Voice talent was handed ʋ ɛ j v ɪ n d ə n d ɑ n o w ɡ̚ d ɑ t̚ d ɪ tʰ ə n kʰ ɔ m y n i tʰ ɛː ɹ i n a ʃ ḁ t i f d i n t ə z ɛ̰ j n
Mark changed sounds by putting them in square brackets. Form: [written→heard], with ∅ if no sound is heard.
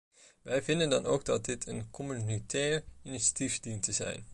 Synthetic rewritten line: ʋ ɛ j v ɪ n d ə n d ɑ n o w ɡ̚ d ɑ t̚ d ɪ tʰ ə n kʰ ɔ m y n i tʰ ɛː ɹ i n [a→i] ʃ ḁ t i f d i n t ə z ɛ̰ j n